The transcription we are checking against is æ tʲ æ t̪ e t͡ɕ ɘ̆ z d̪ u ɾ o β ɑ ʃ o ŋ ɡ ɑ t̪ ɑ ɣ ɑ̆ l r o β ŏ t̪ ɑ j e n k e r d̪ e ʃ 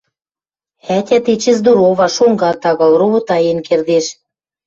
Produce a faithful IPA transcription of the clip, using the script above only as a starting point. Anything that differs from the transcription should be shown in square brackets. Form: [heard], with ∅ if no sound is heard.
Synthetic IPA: æ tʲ æ t̪ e t͡ɕ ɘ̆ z d̪ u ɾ o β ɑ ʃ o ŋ ɡ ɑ t̪ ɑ ɣ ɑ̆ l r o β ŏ t̪ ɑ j e n k e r d̪ e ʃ